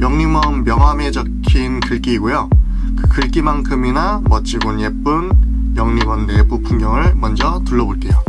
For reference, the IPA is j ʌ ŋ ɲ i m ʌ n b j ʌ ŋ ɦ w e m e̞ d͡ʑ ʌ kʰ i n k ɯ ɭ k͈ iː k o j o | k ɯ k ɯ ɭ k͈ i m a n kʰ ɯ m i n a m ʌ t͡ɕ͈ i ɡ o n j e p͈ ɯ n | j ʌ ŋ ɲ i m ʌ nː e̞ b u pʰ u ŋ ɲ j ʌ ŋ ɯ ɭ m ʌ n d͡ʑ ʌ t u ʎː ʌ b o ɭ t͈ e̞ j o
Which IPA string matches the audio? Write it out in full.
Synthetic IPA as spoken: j ʌ ŋ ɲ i m ʌ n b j ʌ ŋ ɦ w a m e̞ d͡ʑ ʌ kʰ i n k ɯ ɭ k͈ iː ɡ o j o | k ɯ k ɯ ɭ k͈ i m a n kʰ ɯ m i n a m ʌ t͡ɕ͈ i ɡ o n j e p͈ ɯ n | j ʌ ŋ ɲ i m ʌ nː e̞ b u pʰ u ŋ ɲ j ʌ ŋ ɯ ɭ m ʌ n d͡ʑ ʌ t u ɭː ʌ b o ɭ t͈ e̞ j o